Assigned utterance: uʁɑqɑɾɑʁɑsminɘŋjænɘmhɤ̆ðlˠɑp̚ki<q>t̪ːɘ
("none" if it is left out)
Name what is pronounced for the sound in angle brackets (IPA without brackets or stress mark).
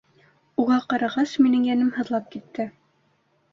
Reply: none